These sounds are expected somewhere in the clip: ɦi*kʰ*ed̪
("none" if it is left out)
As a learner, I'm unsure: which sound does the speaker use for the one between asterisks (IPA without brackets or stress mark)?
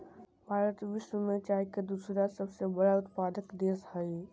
k